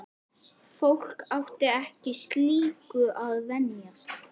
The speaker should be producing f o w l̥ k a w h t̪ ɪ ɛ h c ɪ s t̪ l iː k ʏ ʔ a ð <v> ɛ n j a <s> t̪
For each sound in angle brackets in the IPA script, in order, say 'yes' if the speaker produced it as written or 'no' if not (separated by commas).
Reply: yes, yes